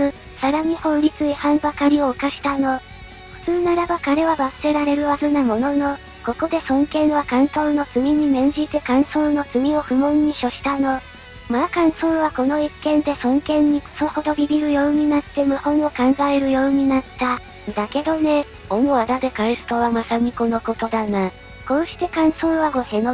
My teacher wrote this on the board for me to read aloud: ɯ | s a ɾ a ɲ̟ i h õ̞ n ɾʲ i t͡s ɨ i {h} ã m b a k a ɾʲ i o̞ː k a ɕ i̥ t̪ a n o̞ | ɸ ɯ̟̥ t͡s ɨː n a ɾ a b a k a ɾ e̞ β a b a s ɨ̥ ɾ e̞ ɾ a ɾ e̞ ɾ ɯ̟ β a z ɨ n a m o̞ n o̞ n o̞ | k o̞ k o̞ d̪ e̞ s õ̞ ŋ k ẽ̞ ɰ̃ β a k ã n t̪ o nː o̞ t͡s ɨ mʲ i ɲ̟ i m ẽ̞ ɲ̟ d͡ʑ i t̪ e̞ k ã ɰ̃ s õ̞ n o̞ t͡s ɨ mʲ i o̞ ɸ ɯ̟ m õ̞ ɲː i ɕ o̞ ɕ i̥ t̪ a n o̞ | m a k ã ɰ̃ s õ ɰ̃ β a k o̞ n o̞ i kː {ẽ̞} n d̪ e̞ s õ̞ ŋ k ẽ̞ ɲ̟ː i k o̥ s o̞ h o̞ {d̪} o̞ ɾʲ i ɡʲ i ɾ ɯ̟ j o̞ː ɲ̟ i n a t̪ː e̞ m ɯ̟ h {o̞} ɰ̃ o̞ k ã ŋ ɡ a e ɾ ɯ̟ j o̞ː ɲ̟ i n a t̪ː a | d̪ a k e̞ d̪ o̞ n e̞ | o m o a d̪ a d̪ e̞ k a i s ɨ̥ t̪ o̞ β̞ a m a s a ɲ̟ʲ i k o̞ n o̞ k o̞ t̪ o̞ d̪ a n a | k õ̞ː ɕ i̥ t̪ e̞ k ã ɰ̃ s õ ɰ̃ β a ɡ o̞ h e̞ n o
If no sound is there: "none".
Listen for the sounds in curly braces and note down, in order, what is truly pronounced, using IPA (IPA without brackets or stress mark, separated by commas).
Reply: h, ẽ̞, d̪, õ̞